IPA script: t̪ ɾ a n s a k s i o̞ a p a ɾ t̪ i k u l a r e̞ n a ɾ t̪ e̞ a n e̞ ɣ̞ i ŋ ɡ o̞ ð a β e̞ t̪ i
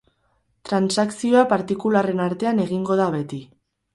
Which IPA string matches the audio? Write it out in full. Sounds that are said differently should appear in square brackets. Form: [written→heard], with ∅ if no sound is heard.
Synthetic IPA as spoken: t̪ ɾ a n s a k s i o̞ a p a ɾ t̪ i k u l a r e̞ n a ɾ t̪ e̞ a n e̞ ɣ̞ i ŋ ɡ o̞ ð a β e̞ t̪ i